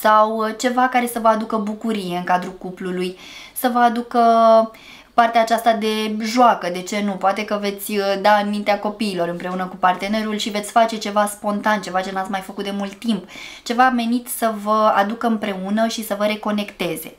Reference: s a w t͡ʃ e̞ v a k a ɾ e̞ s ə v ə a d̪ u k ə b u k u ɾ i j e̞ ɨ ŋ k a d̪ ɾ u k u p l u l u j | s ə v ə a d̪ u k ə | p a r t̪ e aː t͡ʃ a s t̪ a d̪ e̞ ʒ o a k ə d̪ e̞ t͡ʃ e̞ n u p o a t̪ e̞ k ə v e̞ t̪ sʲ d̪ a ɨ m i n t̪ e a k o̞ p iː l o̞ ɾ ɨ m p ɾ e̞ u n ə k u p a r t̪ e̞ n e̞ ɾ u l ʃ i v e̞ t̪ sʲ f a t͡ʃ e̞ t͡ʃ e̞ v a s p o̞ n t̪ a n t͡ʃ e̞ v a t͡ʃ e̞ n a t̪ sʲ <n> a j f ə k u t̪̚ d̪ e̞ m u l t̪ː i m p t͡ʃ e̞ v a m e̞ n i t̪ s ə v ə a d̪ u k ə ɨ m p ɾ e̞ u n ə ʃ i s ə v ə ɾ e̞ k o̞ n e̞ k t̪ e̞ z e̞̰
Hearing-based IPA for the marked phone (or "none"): m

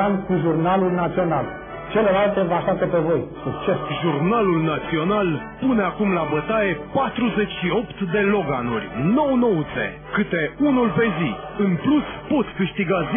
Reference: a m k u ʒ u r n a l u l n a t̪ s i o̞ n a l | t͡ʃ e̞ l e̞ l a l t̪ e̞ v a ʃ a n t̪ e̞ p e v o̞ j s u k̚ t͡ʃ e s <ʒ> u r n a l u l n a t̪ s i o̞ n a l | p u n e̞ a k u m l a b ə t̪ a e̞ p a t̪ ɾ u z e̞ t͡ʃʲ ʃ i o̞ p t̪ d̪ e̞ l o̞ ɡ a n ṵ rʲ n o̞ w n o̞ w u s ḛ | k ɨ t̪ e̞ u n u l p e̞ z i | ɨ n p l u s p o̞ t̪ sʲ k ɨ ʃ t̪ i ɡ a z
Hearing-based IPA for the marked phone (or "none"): ʒ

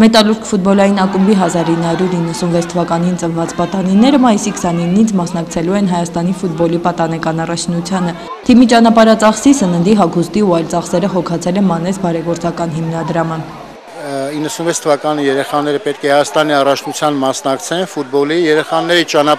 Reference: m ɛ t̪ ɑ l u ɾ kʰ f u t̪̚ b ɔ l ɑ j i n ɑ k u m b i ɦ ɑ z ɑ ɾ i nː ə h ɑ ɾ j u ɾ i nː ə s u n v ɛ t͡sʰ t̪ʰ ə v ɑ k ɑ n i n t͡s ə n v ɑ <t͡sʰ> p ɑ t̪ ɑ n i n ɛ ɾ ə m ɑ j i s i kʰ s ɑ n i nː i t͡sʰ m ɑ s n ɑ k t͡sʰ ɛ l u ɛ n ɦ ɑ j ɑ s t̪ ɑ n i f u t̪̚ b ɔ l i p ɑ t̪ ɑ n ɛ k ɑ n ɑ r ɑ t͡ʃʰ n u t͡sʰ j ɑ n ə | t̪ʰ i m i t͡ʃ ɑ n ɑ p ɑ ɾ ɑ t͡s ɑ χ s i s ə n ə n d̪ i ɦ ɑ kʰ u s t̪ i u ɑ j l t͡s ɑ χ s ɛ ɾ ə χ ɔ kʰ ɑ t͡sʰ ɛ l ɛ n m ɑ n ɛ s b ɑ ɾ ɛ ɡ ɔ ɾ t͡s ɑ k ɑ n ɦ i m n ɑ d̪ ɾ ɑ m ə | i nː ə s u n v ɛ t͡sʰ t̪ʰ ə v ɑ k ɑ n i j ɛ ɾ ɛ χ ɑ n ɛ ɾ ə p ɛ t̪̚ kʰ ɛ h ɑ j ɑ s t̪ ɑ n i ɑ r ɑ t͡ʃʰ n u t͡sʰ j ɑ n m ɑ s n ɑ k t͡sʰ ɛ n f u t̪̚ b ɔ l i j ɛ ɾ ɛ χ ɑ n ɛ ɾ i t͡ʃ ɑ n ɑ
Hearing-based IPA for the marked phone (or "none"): t͡s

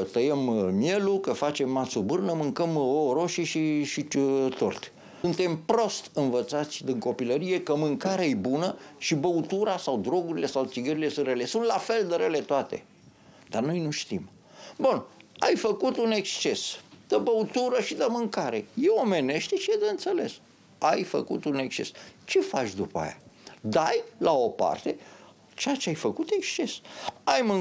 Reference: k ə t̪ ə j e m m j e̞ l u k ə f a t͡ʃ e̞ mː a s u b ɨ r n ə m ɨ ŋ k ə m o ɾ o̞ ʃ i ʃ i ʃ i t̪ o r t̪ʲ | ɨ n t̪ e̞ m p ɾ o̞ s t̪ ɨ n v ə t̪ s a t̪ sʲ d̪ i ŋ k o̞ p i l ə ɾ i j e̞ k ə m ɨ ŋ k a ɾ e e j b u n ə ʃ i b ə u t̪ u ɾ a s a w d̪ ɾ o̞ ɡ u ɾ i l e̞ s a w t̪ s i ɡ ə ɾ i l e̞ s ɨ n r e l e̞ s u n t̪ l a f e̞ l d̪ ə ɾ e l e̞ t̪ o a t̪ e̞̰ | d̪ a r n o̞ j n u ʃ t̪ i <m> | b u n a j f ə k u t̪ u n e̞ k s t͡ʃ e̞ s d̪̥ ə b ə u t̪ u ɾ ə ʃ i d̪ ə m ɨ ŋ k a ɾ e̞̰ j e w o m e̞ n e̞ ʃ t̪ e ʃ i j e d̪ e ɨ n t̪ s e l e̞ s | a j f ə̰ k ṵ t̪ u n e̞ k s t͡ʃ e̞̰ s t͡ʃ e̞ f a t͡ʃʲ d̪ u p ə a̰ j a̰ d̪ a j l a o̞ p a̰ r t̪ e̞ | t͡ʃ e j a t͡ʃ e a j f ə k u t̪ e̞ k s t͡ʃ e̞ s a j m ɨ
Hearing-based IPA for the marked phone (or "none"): m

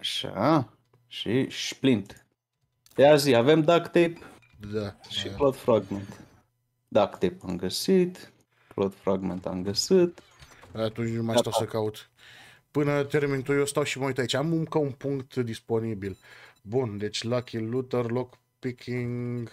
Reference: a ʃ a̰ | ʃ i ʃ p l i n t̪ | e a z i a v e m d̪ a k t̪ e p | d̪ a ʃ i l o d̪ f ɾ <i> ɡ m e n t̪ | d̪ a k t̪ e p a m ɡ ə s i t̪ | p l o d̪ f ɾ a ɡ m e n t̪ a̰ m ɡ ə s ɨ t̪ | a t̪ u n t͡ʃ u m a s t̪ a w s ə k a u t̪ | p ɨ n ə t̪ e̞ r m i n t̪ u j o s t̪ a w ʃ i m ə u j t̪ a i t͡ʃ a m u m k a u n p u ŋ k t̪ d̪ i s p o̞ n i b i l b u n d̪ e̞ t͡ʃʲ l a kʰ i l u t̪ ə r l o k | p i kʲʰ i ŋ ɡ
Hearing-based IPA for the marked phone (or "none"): a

